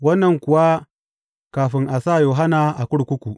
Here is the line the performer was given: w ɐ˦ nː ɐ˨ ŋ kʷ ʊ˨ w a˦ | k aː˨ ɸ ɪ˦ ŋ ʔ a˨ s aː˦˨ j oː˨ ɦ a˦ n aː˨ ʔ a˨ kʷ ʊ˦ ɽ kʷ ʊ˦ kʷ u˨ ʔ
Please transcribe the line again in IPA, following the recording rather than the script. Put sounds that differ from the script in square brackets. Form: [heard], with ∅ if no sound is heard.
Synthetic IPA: w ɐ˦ nː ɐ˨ ŋ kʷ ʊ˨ w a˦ | k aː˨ ɸ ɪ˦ ŋ ʔ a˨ s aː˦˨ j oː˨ ɦ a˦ n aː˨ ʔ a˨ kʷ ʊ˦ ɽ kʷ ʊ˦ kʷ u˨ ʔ

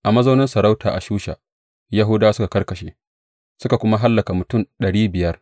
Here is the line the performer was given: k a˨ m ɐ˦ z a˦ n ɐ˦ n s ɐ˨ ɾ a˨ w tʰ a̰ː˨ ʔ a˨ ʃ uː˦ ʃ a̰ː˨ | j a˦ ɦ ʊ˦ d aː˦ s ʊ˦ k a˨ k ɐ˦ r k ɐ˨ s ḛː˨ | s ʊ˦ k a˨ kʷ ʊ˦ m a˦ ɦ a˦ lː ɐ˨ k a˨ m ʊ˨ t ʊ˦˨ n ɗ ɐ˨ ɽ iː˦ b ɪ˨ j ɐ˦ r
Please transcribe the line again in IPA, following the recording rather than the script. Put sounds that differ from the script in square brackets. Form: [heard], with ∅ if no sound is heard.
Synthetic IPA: [ʔ] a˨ m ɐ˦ z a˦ n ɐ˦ n s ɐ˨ ɾ [a˦] w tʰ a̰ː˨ ʔ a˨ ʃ uː˦ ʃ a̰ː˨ | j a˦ ɦ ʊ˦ d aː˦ s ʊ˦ k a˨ k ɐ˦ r k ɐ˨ [ʃ] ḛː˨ | s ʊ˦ k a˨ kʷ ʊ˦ m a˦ ɦ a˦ lː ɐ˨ k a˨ m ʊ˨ t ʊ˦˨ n ɗ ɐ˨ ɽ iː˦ b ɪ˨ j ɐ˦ r

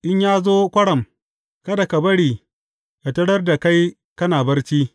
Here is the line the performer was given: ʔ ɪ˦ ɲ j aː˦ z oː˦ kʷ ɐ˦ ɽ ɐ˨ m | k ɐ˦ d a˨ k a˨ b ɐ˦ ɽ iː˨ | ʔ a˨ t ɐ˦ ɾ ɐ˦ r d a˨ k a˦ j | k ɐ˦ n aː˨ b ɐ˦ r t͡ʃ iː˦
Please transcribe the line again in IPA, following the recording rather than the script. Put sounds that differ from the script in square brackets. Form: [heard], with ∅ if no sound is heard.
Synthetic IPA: ʔ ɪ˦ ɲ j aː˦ z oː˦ kʷ ɐ˦ ɽ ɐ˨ m | k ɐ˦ d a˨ k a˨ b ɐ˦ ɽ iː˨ | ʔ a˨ t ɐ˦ [ɽ] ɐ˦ r d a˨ k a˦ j | k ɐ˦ n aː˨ b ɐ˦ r t͡ʃ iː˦

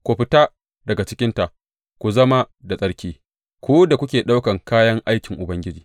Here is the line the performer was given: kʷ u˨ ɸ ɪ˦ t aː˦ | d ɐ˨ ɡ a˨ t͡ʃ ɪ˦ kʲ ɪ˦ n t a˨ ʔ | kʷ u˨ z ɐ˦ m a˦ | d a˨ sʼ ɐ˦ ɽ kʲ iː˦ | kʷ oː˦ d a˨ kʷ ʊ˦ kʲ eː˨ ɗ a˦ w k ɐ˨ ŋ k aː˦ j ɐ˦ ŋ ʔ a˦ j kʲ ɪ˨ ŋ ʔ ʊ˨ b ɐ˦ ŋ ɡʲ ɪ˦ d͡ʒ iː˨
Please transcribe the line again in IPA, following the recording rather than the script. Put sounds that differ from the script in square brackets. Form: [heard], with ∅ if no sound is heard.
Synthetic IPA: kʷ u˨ ɸ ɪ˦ t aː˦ | d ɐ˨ ɡ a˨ t͡ʃ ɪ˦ kʲ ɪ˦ n t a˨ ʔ | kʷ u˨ z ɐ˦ m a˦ | d a˨ sʼ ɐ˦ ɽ kʲ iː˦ | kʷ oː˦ d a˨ kʷ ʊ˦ kʲ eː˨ ɗ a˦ w k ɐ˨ ŋ k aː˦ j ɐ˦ ŋ ʔ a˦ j kʲ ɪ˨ ŋ ʔ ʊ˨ b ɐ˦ ŋ ɡʲ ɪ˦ d͡ʒ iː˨

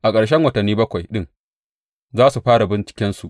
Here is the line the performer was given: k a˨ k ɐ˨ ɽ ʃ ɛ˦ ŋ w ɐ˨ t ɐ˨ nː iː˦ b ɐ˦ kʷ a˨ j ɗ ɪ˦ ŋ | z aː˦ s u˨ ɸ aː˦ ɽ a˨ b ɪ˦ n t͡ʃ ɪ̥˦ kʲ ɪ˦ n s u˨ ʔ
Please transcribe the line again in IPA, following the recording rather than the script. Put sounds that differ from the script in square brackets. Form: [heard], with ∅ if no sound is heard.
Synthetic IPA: [ʔ] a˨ [kʼ] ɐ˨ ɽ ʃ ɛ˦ ŋ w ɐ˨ t ɐ˨ nː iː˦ b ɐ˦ kʷ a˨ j ɗ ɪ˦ ŋ | z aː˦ s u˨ ɸ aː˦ ɽ a˨ b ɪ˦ n t͡ʃ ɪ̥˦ kʲ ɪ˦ n s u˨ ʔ

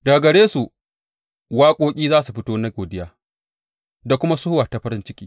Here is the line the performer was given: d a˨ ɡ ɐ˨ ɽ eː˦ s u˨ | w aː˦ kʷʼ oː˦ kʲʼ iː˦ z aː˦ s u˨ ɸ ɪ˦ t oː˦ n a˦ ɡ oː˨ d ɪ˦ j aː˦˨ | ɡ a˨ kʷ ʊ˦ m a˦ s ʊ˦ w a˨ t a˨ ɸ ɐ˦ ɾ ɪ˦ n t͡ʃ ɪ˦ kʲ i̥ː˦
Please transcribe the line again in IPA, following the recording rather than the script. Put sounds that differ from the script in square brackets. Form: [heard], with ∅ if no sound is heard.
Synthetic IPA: d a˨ ɡ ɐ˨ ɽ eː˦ s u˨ | w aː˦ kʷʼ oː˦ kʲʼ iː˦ z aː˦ s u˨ ɸ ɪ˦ t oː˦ n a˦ ɡ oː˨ d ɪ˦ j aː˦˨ | [d] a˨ kʷ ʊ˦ m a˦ s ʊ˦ w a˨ t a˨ ɸ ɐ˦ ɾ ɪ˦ n t͡ʃ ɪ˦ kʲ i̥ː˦

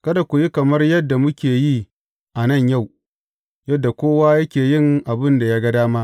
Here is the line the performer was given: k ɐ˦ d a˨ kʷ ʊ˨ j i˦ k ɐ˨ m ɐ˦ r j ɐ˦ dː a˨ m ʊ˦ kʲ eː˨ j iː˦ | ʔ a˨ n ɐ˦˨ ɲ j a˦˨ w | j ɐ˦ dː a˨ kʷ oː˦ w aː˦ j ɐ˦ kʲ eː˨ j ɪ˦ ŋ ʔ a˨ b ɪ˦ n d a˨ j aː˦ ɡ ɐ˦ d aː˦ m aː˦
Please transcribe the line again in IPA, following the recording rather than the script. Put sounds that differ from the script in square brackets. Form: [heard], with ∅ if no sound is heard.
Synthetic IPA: k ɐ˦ d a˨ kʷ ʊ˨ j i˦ k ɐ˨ m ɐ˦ r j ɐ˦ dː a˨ m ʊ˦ kʲ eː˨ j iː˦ | ʔ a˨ n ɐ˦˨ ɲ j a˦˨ w | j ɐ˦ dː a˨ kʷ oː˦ w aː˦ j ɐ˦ kʲ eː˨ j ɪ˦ ŋ ʔ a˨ b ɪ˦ n d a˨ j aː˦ ɡ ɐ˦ d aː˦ m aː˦

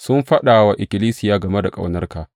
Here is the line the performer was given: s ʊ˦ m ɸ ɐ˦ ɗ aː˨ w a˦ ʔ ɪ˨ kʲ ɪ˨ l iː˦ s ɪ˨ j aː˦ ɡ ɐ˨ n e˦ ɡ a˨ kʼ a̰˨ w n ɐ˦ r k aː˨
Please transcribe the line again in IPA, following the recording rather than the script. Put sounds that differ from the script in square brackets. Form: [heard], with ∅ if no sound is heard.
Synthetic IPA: s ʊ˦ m ɸ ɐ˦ ɗ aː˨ w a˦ ʔ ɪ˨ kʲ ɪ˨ l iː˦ s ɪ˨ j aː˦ ɡ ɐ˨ [m] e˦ [d] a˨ kʼ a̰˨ w n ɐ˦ r k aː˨

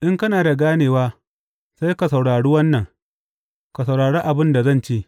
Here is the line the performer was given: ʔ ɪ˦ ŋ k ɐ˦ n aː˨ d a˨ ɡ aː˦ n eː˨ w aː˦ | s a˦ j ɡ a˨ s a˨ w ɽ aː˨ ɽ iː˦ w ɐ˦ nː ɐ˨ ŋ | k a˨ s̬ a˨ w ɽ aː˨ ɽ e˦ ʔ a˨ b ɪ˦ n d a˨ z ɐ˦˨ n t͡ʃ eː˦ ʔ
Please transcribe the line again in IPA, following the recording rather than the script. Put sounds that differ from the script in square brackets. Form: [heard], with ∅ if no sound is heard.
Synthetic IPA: ʔ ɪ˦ ŋ k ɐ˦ n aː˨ d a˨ ɡ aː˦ n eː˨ w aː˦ | s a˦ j [k] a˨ s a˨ w ɽ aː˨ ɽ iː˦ w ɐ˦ nː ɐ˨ ŋ | k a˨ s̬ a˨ w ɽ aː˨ ɽ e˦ ʔ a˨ b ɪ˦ n d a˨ z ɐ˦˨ n t͡ʃ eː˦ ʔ

